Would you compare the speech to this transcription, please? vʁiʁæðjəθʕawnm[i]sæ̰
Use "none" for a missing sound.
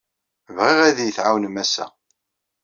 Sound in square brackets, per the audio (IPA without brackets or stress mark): æ